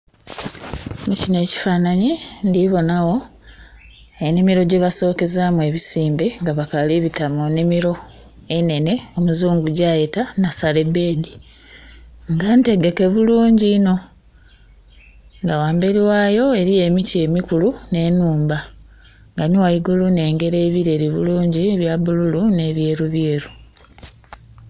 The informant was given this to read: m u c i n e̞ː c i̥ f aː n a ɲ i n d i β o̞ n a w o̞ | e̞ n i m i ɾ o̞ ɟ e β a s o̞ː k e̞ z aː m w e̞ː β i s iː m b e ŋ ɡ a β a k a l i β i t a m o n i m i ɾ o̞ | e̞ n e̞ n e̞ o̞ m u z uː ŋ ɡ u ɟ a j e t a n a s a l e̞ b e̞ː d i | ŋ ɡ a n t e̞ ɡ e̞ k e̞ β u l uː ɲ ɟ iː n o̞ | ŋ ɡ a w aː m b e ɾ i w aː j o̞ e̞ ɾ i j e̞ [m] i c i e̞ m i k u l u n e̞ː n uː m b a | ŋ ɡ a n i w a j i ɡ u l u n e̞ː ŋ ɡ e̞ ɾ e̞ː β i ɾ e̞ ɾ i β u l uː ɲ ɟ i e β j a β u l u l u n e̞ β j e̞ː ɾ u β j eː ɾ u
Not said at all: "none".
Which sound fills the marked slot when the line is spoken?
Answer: m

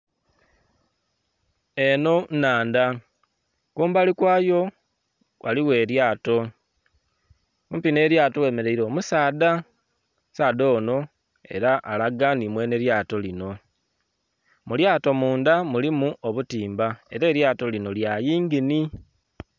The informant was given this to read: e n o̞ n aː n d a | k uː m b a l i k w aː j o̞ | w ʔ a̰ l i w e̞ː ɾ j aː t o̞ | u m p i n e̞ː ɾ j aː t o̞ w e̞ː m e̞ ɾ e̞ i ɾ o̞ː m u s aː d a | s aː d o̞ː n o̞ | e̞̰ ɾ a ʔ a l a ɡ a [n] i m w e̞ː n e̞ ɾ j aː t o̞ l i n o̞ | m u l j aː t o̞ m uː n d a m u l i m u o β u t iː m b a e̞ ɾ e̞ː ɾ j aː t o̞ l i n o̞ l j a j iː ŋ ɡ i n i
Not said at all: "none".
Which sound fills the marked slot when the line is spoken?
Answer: n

